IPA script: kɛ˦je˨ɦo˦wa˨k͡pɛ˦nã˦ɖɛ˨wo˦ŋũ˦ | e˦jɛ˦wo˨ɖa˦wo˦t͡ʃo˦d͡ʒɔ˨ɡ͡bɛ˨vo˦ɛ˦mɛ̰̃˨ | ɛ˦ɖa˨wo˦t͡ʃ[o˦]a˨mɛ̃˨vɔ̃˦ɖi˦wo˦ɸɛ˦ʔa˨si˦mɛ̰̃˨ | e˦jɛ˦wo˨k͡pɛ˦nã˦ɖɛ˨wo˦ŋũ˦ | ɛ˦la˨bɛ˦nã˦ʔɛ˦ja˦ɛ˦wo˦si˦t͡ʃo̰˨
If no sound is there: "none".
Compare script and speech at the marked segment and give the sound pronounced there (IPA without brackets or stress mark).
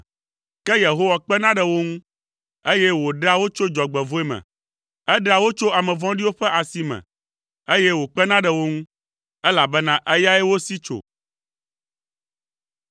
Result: o˦